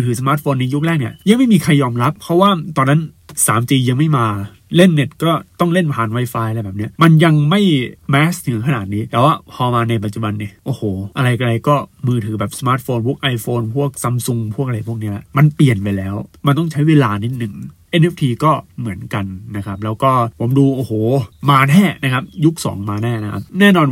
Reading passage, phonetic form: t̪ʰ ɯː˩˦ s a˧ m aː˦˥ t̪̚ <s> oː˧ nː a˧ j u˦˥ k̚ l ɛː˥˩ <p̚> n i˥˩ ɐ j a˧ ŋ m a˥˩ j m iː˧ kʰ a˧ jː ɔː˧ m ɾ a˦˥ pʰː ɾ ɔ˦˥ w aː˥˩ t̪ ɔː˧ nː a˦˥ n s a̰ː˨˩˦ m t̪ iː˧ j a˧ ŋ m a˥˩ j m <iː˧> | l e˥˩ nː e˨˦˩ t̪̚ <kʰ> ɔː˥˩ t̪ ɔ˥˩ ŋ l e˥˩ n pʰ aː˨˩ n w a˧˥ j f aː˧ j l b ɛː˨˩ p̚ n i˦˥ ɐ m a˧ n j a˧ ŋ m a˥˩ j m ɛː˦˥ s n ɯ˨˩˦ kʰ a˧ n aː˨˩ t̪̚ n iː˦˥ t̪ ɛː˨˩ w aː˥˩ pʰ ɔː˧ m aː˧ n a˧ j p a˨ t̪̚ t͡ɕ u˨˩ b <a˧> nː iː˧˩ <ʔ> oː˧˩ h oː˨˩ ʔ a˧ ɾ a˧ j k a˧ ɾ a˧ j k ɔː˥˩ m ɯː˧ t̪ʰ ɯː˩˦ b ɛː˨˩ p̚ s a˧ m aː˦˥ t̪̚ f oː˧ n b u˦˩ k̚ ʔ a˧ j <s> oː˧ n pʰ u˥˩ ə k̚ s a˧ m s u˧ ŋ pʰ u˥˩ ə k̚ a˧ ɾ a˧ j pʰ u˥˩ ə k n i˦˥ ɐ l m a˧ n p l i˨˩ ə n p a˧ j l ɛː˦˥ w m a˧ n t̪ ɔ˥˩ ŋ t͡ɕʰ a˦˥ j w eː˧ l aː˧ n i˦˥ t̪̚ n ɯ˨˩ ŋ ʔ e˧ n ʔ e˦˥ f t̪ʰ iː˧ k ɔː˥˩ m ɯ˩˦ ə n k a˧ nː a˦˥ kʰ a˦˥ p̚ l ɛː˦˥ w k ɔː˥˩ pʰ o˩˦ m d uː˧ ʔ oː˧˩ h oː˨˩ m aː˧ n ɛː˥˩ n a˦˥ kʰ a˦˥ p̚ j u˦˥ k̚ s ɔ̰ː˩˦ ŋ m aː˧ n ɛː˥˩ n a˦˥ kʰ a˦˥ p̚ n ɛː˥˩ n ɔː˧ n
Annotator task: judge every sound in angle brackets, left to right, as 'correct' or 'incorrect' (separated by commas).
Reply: incorrect, incorrect, incorrect, incorrect, correct, correct, incorrect